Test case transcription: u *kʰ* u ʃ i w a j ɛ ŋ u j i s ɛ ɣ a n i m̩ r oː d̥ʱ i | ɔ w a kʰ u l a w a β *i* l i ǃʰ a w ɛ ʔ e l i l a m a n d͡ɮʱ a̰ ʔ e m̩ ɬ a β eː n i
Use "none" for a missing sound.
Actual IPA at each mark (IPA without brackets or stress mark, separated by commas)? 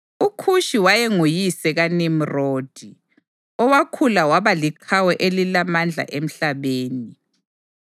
kʰ, a